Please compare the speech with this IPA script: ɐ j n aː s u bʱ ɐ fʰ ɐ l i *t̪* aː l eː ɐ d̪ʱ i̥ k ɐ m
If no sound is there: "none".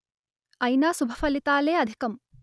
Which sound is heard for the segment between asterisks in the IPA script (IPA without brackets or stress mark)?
t̪